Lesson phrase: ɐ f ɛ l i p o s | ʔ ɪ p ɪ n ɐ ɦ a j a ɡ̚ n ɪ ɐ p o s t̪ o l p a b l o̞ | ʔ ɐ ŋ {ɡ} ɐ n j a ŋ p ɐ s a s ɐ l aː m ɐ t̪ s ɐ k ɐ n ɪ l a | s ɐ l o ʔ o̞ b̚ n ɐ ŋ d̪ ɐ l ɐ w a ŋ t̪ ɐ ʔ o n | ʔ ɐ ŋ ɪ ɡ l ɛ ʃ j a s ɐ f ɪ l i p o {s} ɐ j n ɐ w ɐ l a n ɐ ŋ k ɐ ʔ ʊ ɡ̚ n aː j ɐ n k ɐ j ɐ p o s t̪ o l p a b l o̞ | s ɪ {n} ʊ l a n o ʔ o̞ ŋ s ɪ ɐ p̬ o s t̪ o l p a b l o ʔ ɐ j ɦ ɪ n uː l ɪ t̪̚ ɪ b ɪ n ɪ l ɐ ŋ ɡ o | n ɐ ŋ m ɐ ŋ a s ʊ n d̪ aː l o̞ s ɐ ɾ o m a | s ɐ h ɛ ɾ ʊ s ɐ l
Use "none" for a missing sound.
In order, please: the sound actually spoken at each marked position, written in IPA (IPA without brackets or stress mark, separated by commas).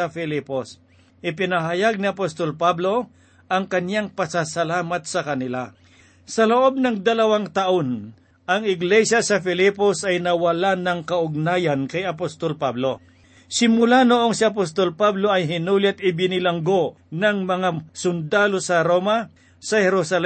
k, s, m